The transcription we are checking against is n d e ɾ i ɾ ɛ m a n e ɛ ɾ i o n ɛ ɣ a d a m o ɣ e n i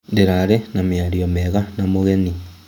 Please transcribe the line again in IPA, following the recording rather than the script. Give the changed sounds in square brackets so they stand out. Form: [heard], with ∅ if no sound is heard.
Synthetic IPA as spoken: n d e ɾ [a] ɾ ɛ [n] a [m] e [a] ɾ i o [m] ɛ ɣ a [n] a m o ɣ e n i

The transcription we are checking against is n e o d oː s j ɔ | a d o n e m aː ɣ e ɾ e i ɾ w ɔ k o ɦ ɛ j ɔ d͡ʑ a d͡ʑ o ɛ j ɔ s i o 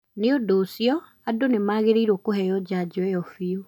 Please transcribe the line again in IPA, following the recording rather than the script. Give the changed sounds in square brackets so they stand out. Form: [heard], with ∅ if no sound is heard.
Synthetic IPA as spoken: n e o d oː s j ɔ | a d o n e m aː ɣ e ɾ e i ɾ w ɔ k o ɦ ɛ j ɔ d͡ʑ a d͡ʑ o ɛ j ɔ [f] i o

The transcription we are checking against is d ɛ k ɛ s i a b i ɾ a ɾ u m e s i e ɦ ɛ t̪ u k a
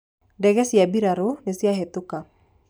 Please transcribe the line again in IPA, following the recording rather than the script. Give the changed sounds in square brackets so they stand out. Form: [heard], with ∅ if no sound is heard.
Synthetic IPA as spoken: d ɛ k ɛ s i a b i ɾ a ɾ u [n] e s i [a] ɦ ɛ t̪ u k a

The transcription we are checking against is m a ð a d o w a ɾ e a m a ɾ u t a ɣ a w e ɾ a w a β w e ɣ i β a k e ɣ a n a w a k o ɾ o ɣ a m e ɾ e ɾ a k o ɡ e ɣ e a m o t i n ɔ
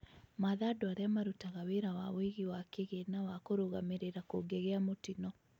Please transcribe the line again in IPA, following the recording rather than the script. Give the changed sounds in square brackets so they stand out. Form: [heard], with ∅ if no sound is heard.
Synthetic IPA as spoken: m a ð a d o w a ɾ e a m a ɾ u t a ɣ a w e ɾ a w a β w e ɣ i [w] a k e ɣ [e] n a w a k o ɾ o ɣ a m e ɾ e ɾ a k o ɡ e ɣ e a m o t i n ɔ

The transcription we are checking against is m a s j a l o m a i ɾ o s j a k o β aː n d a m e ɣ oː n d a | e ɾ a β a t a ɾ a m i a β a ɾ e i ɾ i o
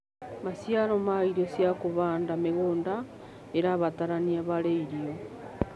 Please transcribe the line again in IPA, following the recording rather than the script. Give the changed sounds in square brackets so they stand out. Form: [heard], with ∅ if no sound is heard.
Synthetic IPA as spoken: m a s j a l o m a i ɾ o s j a k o β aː n d a m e ɣ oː n d a | e ɾ a β a t a ɾ a [n] i a β a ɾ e i ɾ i o

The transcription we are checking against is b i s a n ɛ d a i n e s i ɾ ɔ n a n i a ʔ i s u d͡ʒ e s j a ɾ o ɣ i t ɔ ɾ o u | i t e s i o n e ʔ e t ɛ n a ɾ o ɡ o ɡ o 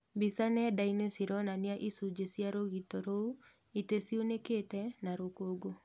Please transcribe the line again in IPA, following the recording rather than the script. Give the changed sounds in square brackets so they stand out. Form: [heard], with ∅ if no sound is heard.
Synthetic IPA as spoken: b i s a n ɛ d a i n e s i ɾ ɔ n a n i a ʔ i s u d͡ʒ e s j a ɾ o ɣ i t ɔ ɾ o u | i t e s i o n e [k] e t ɛ n a ɾ o [k] o ɡ o

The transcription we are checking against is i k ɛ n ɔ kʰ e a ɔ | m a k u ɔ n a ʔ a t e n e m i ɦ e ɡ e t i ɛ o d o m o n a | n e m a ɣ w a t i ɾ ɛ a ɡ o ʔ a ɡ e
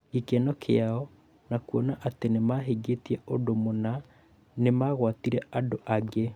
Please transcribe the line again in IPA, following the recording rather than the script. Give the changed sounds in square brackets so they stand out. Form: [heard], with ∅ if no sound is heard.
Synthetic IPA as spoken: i k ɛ n ɔ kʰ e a ɔ | [n] a k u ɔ n a ʔ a t e n e m [a] ɦ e ɡ e t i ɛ o d o m o n a | n e m a ɣ w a t i ɾ ɛ a [d] o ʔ a ɡ e

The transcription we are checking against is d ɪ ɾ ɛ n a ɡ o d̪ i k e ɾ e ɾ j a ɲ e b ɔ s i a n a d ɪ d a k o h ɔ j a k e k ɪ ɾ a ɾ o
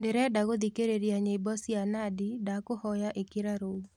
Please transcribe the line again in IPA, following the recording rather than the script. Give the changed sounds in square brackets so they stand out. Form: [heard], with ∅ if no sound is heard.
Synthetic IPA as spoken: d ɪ ɾ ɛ [d] a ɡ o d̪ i k e ɾ e ɾ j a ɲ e b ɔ s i a n a d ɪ d a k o h ɔ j a [ʔ] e k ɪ ɾ a ɾ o

